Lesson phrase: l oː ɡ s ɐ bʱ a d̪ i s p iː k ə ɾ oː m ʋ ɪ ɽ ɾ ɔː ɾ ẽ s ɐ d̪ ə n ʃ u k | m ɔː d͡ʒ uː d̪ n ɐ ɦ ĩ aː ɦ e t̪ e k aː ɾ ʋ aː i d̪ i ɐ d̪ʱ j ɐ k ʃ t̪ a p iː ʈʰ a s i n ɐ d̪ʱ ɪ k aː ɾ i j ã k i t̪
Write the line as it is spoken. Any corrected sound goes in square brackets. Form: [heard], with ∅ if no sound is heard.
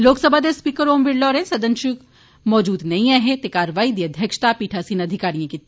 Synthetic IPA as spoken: l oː [k] s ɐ bʱ a d̪ [e] s p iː k ə ɾ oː m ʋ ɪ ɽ [l] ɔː ɾ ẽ s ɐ d̪ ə n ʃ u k | m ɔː d͡ʒ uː d̪ n ɐ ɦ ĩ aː ɦ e t̪ e k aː ɾ ʋ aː i d̪ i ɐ d̪ʱ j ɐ k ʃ t̪ a p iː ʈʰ a s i n ɐ d̪ʱ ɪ k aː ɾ i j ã k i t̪